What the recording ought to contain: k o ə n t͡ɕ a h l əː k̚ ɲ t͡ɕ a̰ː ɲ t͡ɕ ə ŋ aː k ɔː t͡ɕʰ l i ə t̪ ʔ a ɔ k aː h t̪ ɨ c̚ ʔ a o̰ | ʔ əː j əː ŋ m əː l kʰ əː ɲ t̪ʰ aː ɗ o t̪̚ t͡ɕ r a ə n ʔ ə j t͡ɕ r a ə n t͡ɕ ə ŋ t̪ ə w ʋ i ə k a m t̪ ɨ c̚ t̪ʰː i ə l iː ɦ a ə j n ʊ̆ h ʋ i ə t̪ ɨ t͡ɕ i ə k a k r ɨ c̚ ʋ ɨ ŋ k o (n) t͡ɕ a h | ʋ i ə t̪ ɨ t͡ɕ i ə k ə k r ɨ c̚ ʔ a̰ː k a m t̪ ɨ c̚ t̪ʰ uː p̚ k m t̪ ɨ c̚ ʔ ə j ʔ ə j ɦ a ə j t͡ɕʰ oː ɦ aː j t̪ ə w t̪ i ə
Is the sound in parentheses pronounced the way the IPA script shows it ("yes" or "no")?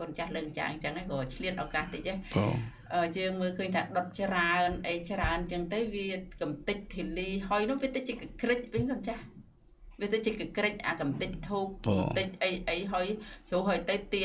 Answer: yes